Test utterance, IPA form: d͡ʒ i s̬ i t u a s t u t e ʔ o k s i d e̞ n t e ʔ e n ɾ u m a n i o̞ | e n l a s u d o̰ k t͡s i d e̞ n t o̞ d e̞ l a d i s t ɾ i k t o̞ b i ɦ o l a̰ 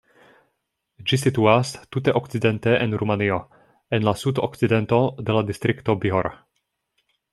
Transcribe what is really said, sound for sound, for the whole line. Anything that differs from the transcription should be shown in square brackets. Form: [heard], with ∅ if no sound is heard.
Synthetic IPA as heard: d͡ʒ i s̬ i t u a s t u t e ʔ o k [t͡s] i d e̞ n t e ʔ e n ɾ u m a n i o̞ | e n l a s u d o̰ k t͡s i d e̞ n t o̞ d e̞ l a d i s t ɾ i k t o̞ b i ɦ o [ɾ] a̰